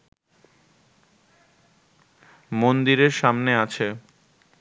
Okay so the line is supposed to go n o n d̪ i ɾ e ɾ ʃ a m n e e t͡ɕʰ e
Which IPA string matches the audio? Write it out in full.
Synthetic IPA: m o n d̪ i ɾ e ɾ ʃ a m n e a t͡ɕʰ e